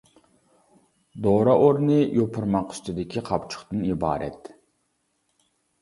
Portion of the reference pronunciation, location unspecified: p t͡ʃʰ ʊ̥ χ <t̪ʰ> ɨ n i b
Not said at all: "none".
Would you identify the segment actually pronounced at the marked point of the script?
t̪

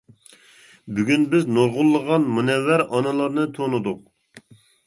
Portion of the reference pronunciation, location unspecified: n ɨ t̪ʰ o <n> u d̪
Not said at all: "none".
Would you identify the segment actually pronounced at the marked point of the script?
n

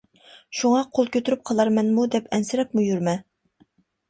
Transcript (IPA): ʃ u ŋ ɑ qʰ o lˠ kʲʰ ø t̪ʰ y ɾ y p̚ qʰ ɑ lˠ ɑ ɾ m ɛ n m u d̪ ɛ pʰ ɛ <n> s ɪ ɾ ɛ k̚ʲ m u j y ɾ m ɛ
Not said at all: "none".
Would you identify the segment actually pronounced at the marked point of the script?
n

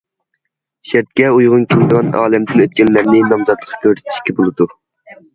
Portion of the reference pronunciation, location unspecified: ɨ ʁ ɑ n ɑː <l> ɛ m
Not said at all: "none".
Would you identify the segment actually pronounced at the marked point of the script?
l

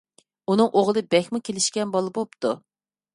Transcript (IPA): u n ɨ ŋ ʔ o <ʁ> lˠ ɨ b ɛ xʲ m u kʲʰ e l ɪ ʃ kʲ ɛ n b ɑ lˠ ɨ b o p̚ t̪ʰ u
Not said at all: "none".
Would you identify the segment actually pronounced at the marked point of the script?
ʁ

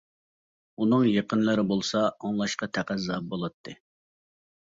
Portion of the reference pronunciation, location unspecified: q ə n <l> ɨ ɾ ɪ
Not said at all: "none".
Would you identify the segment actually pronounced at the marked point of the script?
l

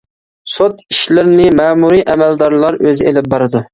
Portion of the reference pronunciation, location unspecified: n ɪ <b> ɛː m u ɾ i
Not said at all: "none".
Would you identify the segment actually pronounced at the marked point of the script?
m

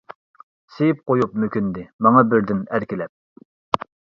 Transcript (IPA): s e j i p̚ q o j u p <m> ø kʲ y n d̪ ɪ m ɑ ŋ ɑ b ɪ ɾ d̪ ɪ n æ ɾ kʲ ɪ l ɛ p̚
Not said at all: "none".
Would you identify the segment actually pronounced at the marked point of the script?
m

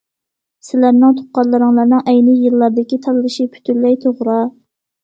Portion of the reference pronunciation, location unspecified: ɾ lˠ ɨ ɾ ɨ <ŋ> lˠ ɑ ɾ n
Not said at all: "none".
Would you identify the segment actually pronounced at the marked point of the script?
ŋ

